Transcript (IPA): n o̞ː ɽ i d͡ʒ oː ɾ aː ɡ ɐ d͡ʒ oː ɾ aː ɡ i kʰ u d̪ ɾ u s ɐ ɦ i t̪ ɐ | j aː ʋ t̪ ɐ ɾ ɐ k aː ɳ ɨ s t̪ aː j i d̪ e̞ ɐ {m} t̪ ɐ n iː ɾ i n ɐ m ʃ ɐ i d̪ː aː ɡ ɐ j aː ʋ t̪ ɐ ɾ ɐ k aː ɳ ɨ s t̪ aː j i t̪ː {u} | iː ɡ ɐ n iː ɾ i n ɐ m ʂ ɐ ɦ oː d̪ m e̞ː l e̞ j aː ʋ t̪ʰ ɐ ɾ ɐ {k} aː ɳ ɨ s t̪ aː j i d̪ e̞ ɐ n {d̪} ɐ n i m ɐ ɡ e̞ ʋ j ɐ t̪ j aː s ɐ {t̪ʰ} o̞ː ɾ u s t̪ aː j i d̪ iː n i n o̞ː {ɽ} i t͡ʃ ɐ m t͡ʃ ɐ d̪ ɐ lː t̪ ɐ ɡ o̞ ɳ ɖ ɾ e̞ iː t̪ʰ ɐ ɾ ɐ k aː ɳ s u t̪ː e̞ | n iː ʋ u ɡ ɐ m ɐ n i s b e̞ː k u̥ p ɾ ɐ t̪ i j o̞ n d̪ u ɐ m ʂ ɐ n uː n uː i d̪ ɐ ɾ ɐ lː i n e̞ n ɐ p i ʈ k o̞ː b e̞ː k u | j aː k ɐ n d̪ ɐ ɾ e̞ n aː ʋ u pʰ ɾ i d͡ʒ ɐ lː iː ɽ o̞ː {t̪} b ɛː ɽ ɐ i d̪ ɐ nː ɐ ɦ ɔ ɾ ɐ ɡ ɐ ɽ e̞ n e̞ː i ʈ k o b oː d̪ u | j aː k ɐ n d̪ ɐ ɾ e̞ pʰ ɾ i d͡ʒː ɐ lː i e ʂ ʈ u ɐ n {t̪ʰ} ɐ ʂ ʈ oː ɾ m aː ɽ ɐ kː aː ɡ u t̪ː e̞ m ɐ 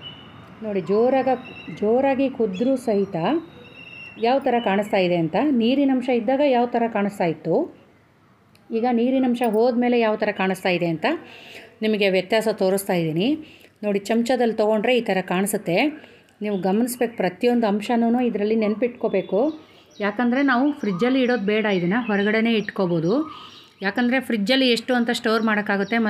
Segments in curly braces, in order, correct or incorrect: incorrect: n, correct, correct, incorrect: t̪, incorrect: t̪, correct, incorrect: d̪, incorrect: t̪

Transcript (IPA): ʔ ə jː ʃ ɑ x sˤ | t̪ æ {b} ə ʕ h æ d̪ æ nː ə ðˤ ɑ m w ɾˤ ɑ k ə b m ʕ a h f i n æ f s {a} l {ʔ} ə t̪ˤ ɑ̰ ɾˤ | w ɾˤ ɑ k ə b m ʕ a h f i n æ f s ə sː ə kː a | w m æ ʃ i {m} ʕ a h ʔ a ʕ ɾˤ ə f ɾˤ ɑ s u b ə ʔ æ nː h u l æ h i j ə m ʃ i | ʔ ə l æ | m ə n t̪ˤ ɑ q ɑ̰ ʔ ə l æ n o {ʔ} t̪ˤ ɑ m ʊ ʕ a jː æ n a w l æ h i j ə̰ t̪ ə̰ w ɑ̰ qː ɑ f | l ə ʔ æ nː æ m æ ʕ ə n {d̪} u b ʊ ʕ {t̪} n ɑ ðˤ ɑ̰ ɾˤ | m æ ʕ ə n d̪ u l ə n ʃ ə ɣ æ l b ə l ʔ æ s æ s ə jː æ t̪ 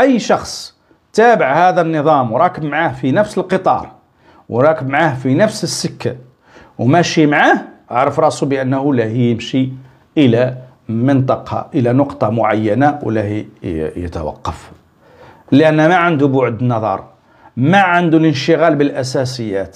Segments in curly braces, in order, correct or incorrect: correct, incorrect: ə, incorrect: q, correct, incorrect: q, correct, incorrect: d̪

